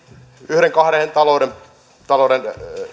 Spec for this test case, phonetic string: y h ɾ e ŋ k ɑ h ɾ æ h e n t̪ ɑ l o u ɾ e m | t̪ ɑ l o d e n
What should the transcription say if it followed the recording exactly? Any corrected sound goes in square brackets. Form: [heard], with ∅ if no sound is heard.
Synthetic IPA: y h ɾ e ŋ k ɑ h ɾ [e] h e n t̪ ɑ l o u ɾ e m | t̪ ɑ l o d e n